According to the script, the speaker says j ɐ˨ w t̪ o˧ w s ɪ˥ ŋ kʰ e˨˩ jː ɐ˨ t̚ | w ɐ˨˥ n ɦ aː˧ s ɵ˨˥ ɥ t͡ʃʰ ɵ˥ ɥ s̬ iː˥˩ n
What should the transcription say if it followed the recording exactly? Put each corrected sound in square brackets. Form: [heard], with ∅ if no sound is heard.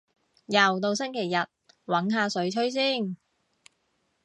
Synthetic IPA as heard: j ɐ˨ w t̪ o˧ w s ɪ˥ ŋ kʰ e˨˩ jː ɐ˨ t̚ | w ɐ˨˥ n ɦ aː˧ s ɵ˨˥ ɥ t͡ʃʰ ɵ˥ ɥ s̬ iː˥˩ n